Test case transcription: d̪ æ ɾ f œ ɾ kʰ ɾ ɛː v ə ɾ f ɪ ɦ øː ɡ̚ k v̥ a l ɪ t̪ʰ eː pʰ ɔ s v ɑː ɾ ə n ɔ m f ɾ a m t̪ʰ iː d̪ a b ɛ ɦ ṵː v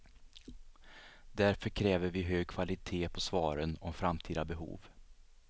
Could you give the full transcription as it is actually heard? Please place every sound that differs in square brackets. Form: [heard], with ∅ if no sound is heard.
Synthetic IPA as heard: d̪ æ ɾ f œ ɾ kʰ ɾ ɛː v ə ɾ [v] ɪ ɦ øː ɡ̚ [kʰ] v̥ a l ɪ t̪ʰ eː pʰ ɔ s v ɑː ɾ ə n ɔ m f ɾ a m t̪ʰ iː d̪ a b ɛ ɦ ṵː v